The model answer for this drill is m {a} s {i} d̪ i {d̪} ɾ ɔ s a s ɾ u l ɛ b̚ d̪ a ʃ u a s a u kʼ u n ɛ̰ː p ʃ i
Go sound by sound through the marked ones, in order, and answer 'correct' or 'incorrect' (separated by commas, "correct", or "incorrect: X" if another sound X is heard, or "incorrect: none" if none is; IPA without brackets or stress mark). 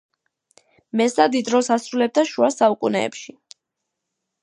incorrect: ɛ, incorrect: a, correct